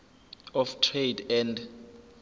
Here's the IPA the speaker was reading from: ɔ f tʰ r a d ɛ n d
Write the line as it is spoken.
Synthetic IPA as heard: ɔ f tʰ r e d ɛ n d